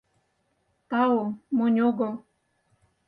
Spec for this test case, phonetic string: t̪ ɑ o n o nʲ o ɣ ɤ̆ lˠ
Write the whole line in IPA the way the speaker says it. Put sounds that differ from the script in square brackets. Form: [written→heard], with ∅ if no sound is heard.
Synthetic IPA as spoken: t̪ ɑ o [n→m] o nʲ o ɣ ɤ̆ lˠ